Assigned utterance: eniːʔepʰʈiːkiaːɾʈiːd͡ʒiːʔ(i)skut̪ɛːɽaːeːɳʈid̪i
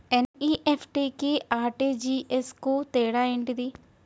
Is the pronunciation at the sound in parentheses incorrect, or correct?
incorrect